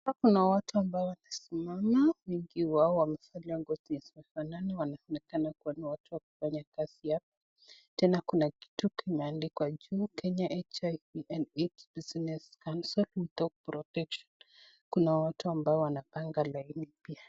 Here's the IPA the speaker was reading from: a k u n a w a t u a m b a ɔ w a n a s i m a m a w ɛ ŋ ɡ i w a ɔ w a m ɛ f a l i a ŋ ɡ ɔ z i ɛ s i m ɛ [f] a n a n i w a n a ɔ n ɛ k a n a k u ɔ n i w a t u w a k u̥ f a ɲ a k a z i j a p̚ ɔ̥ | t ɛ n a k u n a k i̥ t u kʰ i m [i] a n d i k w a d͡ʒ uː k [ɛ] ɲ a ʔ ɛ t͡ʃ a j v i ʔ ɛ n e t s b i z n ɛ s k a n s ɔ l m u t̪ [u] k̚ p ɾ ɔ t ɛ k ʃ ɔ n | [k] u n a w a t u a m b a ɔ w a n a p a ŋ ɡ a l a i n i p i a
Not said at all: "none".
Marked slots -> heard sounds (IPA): f, ɛ, ɛ, ɔ, k

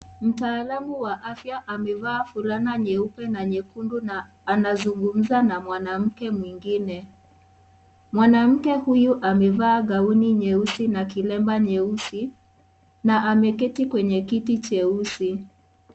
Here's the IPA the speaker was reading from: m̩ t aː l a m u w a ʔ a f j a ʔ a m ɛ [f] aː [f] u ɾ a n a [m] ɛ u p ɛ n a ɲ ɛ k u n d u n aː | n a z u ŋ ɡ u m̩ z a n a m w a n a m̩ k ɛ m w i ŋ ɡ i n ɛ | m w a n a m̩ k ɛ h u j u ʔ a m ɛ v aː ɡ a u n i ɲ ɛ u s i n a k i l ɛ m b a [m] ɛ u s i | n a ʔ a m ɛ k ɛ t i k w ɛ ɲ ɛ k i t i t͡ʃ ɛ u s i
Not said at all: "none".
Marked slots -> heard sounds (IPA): v, f, ɲ, ɲ

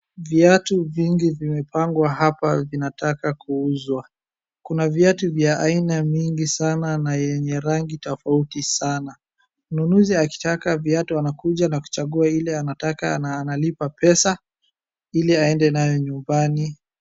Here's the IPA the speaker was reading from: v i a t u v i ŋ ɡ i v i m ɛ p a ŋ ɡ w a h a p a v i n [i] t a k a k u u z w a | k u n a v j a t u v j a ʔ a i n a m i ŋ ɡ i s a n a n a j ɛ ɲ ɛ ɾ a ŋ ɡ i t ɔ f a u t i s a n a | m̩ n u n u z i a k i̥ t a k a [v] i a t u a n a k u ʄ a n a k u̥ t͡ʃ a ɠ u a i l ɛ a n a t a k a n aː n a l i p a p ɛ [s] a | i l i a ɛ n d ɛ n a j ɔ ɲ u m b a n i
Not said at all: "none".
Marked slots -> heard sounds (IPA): a, v, s

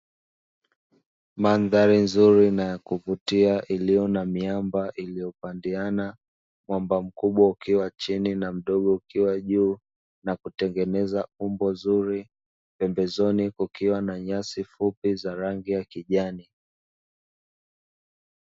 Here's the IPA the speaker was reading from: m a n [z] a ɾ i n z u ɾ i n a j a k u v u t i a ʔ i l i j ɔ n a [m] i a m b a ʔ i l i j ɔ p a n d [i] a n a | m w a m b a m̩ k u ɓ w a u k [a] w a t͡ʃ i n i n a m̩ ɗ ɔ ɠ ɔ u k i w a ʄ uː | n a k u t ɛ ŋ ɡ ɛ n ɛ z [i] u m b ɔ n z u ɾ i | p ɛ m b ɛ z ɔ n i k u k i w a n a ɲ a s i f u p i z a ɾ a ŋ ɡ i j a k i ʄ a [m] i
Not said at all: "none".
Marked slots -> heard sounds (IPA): ð, m, i, i, a, n

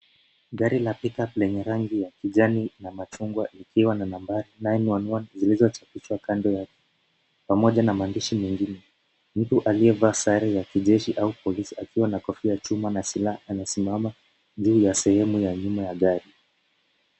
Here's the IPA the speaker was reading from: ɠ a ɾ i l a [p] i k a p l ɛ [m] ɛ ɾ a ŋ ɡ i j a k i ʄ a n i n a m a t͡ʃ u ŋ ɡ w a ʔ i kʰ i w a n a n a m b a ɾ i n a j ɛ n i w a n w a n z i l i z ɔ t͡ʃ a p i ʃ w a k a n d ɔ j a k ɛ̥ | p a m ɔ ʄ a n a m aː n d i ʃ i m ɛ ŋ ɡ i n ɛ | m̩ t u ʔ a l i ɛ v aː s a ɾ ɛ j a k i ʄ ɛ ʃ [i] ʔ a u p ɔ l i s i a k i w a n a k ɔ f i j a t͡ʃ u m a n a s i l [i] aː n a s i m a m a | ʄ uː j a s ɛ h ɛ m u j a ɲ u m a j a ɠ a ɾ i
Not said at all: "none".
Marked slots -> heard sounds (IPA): p, ɲ, i, a

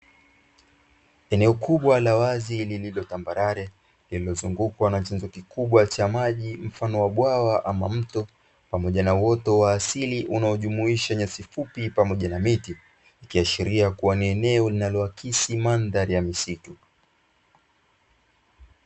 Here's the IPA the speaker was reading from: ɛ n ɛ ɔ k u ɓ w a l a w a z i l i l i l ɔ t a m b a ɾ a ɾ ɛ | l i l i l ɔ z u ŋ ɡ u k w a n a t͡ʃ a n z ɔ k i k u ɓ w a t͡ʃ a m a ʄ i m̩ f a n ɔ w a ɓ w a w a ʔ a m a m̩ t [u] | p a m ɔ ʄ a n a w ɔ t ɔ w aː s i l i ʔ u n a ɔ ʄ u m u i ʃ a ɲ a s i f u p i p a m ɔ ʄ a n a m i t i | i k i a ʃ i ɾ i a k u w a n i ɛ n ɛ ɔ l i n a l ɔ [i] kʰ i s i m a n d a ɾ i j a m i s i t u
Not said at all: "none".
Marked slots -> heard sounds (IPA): ɔ, a

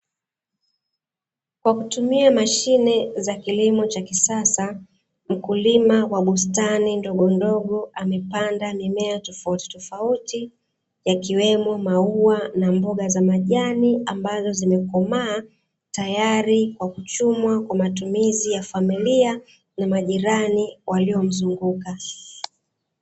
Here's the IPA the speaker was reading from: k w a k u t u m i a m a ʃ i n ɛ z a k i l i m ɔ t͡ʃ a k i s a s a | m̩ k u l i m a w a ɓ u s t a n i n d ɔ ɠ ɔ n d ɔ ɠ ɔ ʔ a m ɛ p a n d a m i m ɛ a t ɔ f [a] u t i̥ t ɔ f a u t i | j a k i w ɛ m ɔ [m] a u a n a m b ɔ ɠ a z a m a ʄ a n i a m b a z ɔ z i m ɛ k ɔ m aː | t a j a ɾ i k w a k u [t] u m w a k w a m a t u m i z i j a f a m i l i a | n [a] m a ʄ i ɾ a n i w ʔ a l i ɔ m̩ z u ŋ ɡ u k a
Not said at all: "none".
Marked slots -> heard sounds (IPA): a, m, t͡ʃ, a

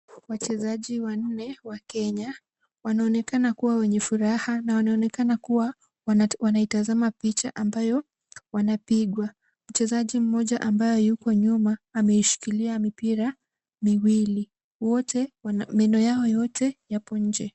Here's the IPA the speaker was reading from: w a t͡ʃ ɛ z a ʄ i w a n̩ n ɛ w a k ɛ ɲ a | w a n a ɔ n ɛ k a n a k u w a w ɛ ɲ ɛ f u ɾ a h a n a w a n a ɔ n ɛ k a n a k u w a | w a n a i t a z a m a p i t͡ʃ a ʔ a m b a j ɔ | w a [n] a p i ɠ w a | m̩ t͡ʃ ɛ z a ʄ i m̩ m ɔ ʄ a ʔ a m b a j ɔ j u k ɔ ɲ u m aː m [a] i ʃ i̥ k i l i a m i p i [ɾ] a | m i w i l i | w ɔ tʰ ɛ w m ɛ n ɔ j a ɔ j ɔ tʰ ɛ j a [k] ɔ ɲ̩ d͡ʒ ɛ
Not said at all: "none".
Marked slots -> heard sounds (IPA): n, ɛ, ɾ, p

